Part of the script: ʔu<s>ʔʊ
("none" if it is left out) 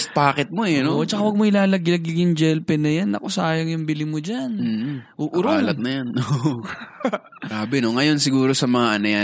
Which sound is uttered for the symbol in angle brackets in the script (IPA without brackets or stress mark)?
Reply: none